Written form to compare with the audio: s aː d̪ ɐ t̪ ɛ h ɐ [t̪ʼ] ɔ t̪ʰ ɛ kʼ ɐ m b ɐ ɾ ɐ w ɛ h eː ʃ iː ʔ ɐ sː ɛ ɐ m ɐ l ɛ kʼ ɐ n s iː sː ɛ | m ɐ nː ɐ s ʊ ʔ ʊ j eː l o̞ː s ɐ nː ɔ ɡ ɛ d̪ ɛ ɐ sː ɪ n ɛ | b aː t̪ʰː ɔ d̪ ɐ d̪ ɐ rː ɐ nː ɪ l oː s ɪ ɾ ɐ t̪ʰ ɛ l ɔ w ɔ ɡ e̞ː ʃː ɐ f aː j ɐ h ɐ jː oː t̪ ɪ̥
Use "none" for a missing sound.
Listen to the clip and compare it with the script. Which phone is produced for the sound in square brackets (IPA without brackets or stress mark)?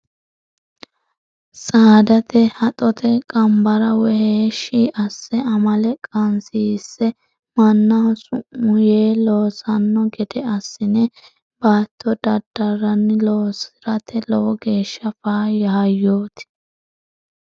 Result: t̪ʼ